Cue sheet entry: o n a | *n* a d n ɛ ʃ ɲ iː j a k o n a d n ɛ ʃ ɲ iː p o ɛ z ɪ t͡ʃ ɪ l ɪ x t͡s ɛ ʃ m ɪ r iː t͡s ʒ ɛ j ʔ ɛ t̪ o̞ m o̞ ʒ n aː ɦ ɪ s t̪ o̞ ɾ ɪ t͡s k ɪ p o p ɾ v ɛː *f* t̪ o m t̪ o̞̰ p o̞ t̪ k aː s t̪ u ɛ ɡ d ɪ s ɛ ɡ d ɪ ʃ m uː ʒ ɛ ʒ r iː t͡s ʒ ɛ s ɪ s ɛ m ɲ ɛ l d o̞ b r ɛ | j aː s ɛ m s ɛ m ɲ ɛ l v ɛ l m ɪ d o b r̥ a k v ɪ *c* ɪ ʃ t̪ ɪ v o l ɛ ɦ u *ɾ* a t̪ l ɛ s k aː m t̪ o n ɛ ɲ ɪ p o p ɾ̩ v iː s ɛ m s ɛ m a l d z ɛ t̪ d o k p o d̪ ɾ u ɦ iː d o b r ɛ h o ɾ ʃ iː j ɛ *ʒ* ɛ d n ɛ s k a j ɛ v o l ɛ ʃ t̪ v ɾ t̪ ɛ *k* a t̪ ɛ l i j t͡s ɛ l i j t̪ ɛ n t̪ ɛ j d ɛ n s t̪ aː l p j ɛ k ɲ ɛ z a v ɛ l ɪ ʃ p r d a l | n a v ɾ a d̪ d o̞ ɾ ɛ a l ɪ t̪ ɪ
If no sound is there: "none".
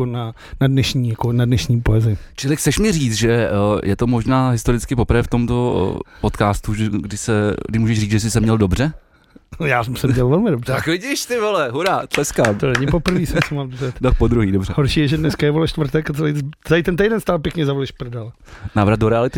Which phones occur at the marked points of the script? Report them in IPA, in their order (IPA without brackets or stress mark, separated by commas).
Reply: n, f, ɟ, ɾ, ʒ, k